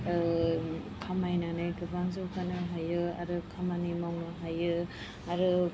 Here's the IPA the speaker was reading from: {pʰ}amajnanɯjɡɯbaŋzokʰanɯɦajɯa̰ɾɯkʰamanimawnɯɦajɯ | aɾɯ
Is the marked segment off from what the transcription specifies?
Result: yes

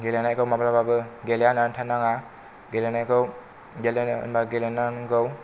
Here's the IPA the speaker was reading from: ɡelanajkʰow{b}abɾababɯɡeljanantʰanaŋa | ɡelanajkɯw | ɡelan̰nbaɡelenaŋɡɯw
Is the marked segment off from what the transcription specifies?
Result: yes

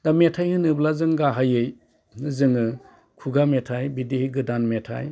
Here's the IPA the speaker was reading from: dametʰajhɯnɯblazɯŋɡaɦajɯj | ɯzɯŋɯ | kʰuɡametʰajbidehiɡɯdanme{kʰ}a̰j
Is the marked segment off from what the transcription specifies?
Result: yes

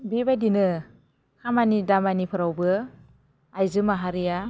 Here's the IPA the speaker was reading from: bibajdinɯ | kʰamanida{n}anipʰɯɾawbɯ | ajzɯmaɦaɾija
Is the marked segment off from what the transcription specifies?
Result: yes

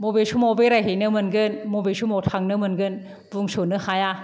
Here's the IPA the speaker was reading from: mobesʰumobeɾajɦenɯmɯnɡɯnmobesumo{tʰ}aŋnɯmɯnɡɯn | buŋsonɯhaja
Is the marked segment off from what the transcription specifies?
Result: no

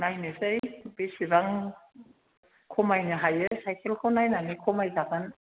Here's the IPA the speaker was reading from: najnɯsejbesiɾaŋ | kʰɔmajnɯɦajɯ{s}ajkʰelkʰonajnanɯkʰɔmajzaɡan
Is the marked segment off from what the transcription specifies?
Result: no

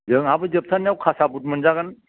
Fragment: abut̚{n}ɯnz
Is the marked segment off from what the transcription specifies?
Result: yes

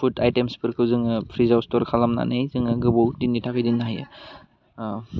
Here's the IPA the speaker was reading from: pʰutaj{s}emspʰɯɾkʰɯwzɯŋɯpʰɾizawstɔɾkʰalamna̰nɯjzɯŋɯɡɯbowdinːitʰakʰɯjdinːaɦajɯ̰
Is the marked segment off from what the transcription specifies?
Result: yes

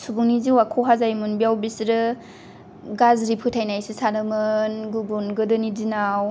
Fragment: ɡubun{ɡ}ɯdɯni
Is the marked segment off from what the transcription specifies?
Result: no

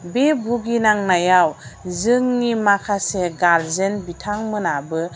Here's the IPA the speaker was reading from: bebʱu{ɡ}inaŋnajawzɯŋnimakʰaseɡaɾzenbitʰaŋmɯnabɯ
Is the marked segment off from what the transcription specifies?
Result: no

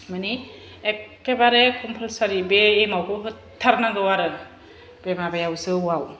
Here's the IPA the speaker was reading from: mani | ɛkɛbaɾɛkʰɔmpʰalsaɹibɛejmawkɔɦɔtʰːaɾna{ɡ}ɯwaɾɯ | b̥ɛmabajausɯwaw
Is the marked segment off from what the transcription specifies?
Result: no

